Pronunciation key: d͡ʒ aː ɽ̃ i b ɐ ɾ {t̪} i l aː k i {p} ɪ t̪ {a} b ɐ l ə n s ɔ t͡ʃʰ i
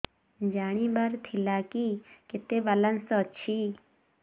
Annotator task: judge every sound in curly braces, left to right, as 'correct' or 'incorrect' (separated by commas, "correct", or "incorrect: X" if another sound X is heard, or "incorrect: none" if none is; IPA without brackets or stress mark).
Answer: incorrect: t̪ʰ, incorrect: k, incorrect: e